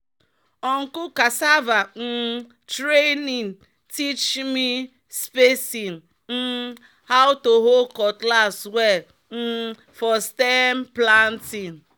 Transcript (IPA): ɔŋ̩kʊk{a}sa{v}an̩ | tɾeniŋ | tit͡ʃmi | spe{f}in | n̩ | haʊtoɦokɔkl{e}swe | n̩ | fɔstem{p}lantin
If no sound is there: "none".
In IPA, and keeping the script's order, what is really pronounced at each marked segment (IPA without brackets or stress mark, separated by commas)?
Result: a, v, s, a, p